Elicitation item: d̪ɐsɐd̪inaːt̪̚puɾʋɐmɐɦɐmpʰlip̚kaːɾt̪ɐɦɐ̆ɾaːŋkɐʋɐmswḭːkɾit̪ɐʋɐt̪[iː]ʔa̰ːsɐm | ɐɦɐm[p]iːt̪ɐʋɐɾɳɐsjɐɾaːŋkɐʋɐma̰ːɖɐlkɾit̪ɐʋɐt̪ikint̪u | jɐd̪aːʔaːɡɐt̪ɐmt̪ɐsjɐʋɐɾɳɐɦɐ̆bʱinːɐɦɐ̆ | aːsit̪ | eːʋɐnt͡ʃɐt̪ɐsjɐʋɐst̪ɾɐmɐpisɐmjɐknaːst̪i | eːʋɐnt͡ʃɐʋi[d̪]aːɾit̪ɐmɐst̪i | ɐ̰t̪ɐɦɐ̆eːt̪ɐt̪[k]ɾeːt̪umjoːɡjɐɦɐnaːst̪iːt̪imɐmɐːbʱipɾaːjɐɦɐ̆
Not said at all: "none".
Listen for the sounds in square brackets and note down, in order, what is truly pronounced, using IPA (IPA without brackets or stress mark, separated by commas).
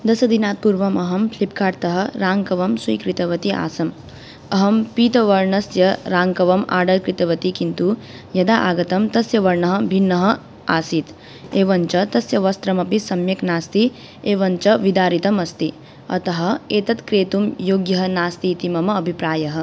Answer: i, p, d̪, k